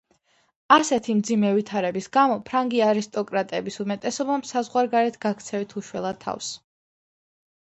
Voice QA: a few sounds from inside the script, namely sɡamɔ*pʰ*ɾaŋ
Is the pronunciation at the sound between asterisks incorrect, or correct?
correct